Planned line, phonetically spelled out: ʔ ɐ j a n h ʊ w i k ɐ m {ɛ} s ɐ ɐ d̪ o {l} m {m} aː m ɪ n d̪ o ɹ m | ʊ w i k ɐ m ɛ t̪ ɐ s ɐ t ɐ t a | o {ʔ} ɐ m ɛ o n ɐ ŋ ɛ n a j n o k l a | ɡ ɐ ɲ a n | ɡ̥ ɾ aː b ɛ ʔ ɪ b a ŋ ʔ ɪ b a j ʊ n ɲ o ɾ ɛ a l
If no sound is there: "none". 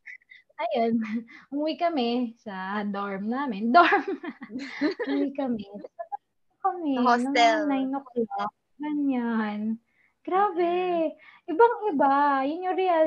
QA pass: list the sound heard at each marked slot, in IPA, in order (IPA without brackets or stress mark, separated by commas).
ɛ, ɹ, n, k